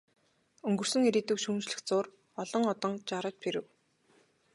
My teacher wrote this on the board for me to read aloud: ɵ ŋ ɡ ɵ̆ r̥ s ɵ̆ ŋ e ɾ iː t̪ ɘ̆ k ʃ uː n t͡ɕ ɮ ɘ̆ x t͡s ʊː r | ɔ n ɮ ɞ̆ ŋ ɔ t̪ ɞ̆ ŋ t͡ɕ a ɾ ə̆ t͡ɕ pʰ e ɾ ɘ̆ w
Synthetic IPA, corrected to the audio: ɵ ŋ ɡ ɵ̆ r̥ s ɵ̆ ŋ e ɾ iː t̪ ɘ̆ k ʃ uː n t͡ɕ ɮ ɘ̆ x t͡s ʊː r | ɔ ɮ ɞ̆ ŋ ɔ t̪ ɞ̆ ŋ t͡ɕ a ɾ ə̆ t͡ɕ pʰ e ɾ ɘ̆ w